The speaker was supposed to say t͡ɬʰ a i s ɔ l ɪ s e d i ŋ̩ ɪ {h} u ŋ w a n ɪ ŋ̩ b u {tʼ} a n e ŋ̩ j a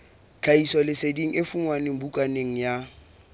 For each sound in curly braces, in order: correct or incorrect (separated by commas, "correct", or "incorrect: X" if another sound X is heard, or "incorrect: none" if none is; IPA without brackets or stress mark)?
incorrect: f, incorrect: kʼ